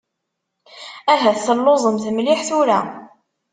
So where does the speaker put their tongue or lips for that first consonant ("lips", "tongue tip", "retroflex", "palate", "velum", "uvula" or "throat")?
throat